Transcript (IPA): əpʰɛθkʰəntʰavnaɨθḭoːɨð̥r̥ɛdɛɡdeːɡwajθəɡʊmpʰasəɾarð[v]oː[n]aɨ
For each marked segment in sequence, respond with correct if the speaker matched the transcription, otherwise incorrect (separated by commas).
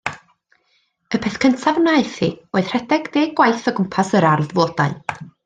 correct, incorrect